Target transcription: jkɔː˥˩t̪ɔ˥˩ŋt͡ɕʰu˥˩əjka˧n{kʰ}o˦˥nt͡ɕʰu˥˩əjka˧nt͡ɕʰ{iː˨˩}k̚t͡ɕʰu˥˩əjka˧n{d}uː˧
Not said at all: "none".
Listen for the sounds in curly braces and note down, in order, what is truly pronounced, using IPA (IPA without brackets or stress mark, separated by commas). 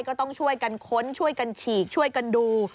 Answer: kʰ, iː˨˩, d